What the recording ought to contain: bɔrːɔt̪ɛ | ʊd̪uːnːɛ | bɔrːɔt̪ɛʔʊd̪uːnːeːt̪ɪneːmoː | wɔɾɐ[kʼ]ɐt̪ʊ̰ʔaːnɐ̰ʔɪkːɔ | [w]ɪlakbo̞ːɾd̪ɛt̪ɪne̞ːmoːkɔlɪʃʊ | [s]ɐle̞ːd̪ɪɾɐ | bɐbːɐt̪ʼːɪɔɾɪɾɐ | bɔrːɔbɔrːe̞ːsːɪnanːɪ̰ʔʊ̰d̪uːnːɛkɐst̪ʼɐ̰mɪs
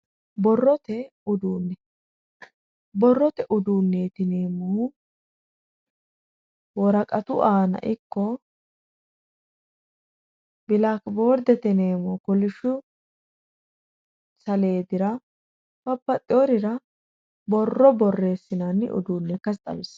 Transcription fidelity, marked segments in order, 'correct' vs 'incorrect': correct, incorrect: b, correct

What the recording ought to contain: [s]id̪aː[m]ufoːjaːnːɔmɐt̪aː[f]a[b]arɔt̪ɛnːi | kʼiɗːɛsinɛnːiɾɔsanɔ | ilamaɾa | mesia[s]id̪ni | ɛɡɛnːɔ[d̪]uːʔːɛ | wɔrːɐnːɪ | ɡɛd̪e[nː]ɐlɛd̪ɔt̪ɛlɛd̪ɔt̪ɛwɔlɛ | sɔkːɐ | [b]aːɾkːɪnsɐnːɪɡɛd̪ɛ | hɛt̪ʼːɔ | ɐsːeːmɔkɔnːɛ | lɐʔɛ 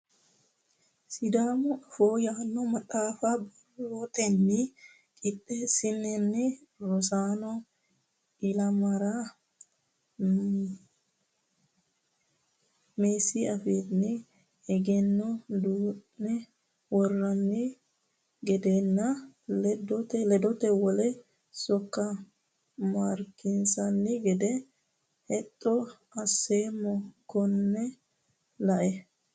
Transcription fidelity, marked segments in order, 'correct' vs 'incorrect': correct, correct, correct, correct, incorrect: f, correct, correct, incorrect: m

